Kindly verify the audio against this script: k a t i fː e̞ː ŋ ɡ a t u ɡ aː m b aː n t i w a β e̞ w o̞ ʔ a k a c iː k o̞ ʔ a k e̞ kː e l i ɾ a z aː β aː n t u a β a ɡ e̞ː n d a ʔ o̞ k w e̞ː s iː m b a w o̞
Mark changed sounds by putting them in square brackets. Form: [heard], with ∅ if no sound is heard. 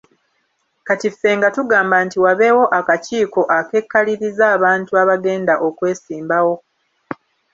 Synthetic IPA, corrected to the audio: k a t i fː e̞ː ŋ ɡ a t u ɡ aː m b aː n t i w a β e̞ w o̞ ʔ a k a c iː k o̞ ʔ a k e̞ kː [a] l i ɾ [i] z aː β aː n t u a β a ɡ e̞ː n d a ʔ o̞ k w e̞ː s iː m b a w o̞

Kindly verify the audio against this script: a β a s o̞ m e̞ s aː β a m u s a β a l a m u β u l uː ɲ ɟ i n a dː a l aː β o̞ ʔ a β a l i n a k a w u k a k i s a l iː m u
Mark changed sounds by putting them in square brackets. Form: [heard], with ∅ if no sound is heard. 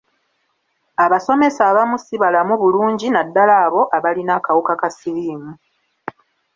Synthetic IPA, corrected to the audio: a β a s o̞ m e̞ s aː β a m u s [i] β a l a m u β u l uː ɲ ɟ i n a dː a l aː β o̞ ʔ a β a l i n a k a w u k a k [a] s [i] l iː m u

